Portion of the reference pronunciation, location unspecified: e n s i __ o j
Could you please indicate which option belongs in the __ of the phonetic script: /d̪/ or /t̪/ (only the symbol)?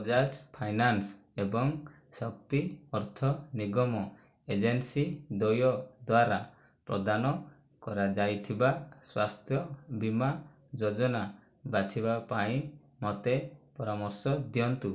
d̪